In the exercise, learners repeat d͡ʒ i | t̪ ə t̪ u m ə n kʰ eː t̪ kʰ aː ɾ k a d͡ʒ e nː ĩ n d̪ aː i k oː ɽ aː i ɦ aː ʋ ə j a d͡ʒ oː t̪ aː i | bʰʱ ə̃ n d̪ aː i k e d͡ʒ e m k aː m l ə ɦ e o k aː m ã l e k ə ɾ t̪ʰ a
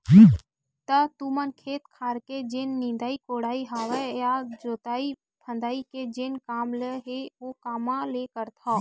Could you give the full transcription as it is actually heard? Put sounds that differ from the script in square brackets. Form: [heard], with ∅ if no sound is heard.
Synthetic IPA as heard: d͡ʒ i | t̪ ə t̪ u m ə n kʰ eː t̪ kʰ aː ɾ k [e] d͡ʒ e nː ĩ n d̪ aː i k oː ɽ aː i ɦ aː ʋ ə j a d͡ʒ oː t̪ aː i | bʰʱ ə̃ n d̪ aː i k e d͡ʒ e [n] k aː m l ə ɦ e o k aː m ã l e k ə ɾ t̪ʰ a